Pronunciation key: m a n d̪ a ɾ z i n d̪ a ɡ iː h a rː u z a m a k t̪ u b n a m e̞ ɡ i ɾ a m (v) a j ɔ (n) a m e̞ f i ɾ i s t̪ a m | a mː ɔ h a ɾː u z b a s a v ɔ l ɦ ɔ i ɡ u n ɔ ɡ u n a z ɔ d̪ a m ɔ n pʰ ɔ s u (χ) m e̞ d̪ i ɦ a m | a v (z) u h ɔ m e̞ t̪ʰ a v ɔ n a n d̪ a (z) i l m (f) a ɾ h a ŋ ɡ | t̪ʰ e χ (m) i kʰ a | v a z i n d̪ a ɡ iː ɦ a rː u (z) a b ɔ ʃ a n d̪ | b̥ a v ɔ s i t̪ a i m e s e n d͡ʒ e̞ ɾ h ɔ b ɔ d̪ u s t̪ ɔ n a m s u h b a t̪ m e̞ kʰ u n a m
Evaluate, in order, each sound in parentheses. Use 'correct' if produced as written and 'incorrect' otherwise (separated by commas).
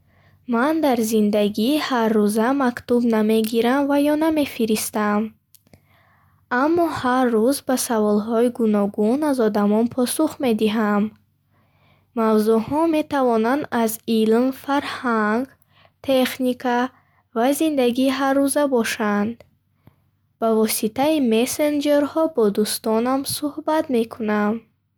correct, correct, correct, correct, correct, correct, incorrect, correct